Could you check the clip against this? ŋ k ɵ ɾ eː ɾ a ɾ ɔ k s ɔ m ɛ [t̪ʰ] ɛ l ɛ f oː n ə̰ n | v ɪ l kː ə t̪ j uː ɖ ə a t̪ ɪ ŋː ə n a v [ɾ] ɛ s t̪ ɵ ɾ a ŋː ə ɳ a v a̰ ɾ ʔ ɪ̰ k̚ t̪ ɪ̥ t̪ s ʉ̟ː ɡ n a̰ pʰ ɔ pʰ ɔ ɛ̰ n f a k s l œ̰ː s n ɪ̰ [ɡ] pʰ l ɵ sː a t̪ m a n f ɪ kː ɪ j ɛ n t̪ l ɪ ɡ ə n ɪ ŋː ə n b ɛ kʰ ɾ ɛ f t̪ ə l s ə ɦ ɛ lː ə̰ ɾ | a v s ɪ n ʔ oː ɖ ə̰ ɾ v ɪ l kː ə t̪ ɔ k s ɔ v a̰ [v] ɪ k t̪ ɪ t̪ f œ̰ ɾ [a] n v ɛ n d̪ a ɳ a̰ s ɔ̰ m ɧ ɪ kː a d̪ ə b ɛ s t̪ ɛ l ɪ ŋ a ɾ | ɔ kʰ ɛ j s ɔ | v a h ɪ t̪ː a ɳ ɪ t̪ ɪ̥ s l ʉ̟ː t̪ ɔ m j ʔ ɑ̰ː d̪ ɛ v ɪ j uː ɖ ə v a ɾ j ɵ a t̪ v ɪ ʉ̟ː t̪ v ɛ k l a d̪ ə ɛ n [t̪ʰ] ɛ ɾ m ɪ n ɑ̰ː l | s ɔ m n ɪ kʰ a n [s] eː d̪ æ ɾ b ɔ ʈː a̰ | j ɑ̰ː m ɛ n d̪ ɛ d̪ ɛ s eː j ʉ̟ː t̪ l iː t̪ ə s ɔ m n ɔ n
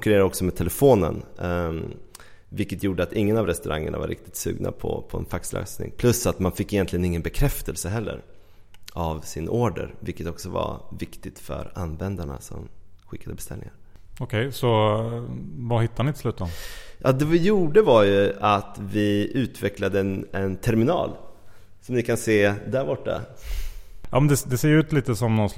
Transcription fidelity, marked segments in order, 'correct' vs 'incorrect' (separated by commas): correct, correct, incorrect, correct, correct, correct, correct